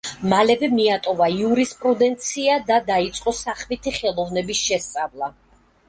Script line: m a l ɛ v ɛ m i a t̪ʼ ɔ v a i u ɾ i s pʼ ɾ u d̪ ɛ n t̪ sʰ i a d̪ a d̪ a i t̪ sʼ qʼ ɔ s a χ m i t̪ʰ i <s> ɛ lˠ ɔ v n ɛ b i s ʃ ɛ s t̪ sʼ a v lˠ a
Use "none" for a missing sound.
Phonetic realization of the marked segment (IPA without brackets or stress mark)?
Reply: χ